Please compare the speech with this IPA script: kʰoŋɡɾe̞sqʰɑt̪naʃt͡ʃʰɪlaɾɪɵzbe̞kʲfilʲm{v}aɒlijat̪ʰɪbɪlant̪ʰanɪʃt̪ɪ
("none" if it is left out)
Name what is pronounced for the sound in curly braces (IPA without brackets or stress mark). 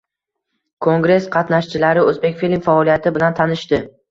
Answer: f